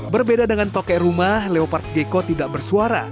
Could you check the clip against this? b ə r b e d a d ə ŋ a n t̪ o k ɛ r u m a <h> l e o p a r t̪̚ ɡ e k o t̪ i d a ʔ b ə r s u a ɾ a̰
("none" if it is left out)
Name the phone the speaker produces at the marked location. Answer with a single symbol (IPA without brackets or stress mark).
h